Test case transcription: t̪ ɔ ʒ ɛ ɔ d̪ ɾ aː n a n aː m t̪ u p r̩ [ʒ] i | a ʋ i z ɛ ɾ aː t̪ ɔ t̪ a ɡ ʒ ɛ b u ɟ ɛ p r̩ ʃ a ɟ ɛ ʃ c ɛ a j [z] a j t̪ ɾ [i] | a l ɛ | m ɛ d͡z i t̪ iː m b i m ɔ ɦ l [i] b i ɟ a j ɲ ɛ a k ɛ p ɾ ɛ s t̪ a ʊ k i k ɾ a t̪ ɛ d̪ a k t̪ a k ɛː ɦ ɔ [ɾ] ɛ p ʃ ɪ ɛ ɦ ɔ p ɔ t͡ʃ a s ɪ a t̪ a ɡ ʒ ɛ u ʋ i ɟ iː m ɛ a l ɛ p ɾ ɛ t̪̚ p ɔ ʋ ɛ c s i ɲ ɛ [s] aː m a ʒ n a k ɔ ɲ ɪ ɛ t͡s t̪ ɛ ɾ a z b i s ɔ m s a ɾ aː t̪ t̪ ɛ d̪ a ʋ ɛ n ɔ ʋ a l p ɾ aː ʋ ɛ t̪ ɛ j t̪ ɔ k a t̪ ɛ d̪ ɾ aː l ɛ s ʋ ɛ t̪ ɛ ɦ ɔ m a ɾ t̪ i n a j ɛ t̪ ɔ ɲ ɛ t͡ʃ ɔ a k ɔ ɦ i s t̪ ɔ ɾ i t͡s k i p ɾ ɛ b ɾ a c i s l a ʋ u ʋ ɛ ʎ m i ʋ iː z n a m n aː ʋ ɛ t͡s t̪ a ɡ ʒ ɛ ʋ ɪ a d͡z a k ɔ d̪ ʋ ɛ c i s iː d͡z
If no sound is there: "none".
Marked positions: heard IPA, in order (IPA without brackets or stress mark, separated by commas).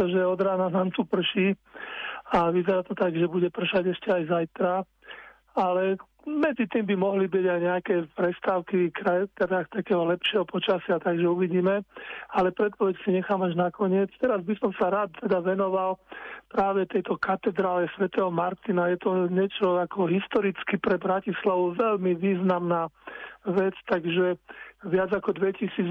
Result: ʃ, z, a, i, l, x